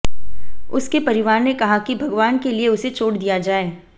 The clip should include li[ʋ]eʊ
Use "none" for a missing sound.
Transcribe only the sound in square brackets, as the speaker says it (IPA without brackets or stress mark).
none